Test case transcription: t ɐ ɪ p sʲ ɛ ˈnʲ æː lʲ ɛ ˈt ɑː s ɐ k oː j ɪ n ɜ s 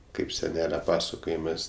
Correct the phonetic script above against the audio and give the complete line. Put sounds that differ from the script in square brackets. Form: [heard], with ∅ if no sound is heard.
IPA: [k] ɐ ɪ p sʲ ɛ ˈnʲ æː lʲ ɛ [ˈp] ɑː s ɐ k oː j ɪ [m] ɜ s